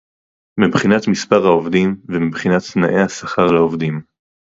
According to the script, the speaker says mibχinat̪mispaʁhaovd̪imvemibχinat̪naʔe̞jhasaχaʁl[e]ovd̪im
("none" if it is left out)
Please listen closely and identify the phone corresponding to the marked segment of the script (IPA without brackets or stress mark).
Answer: a